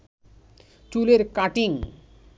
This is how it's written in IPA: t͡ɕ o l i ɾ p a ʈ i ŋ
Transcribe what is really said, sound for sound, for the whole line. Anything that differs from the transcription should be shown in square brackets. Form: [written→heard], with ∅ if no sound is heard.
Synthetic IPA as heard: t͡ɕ [o→u] l [i→e] ɾ [p→k] a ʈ i ŋ